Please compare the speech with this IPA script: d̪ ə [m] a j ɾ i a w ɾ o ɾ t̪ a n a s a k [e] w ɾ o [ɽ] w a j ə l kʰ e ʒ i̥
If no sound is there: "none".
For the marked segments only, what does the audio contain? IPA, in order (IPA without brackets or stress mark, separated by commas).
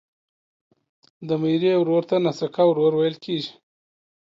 m, a, ɾ